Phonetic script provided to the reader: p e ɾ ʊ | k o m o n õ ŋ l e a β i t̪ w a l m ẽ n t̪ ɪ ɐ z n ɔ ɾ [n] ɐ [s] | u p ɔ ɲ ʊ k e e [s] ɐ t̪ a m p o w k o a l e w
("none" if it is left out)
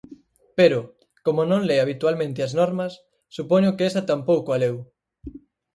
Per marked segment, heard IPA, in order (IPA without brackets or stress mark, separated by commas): m, sː, s